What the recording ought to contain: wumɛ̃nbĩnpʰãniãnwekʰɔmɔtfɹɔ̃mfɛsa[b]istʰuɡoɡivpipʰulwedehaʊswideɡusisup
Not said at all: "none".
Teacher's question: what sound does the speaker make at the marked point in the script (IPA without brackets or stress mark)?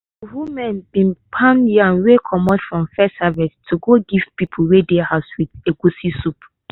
v